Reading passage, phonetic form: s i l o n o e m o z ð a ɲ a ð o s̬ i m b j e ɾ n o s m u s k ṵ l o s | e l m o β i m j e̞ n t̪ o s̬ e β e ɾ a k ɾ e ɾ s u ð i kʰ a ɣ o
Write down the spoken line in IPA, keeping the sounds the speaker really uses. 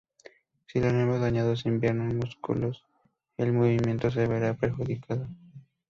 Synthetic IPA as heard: s i l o n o e m o z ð a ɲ a ð o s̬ i m b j e ɾ n o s m u s k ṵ l o s | e l m o β i m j e̞ n t̪ o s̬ e β e ɾ a p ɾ e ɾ x u ð i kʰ a ð o

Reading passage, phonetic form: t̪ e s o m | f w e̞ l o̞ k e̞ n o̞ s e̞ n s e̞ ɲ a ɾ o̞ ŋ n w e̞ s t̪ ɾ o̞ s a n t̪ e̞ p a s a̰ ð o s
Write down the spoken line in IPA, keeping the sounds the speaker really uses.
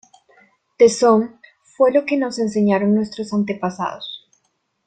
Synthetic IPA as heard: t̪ e s o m | f w e̞ l o̞ k e̞ n o̞ s e̞ n s e̞ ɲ a ɾ o̞ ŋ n w e̞ s t̪ ɾ o̞ s a n t̪ e̞ p a s a̰ ð o s

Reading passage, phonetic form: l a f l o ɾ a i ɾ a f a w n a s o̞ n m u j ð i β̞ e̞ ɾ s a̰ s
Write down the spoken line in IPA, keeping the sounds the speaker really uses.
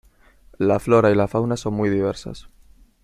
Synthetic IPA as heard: l a f l o ɾ a i l a f a w n a s o̞ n m u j ð i β̞ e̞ ɾ s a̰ s

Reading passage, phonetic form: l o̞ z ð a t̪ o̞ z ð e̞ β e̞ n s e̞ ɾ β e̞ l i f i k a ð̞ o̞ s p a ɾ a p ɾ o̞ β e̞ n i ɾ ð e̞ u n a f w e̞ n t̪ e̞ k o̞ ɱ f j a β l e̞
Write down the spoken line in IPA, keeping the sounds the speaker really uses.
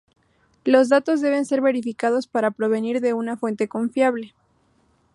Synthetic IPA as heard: l o̞ z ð a t̪ o̞ z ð e̞ β e̞ n s e̞ ɾ β e̞ ɾ i f i k a ð̞ o̞ s p a ɾ a p ɾ o̞ β e̞ n i ɾ ð e̞ u n a f w e̞ n t̪ e̞ k o̞ ɱ f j a β l e̞

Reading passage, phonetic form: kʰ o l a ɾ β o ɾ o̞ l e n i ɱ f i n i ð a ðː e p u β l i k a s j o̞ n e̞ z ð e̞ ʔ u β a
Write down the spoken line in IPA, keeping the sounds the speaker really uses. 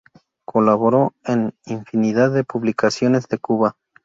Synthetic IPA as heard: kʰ o l a β o ɾ o̞ e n i ɱ f i n i ð a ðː e p u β l i k a s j o̞ n e̞ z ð e̞ k u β a

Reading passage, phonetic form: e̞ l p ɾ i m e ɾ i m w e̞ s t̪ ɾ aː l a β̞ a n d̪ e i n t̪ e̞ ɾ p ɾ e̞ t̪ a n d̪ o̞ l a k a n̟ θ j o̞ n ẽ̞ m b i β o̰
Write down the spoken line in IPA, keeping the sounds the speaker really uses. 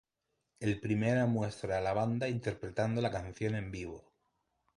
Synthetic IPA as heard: e̞ l p ɾ i m e ɾ a m w e̞ s t̪ ɾ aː l a β̞ a n d̪ a i n t̪ e̞ ɾ p ɾ e̞ t̪ a n d̪ o̞ l a k a n̟ θ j o̞ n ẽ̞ m b i β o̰

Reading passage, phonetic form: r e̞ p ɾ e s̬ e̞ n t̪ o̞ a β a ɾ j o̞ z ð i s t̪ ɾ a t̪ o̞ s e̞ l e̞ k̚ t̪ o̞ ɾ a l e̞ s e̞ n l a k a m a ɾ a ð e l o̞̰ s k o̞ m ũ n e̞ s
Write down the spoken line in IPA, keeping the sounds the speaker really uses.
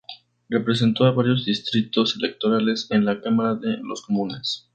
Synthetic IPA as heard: r e̞ p ɾ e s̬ e̞ n t̪ o̞ a β a ɾ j o̞ z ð i s t̪ ɾ i t̪ o̞ s e̞ l e̞ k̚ t̪ o̞ ɾ a l e̞ s e̞ n l a k a m a ɾ a ð e l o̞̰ s k o̞ m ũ n e̞ s

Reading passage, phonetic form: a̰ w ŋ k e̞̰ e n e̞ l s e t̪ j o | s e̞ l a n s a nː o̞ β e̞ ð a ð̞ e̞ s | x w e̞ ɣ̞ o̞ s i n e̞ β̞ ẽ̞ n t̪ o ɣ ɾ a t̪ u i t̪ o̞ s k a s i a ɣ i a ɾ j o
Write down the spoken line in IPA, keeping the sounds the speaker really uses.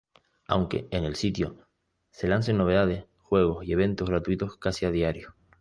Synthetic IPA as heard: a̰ w ŋ k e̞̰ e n e̞ l s i t̪ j o | s e̞ l a n s e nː o̞ β e̞ ð a ð̞ e̞ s | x w e̞ ɣ̞ o̞ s i e̞ β̞ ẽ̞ n t̪ o ɣ ɾ a t̪ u i t̪ o̞ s k a s i a ð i a ɾ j o

